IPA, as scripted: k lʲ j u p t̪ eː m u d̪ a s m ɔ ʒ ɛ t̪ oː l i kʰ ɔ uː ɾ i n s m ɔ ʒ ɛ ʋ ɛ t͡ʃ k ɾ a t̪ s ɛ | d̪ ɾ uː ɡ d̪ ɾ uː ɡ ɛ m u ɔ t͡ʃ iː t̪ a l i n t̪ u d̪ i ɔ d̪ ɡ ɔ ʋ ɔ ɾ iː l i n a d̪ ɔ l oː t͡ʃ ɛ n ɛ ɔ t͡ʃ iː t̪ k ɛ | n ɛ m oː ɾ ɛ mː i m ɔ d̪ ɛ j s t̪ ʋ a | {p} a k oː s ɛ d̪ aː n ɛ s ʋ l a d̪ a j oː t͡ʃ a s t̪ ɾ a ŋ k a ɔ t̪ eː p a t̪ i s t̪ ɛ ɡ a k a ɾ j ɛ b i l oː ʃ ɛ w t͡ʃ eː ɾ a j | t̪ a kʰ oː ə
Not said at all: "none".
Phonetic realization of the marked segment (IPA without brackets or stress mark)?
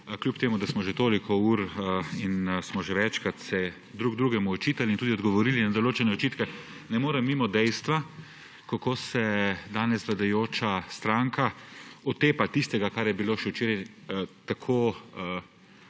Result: k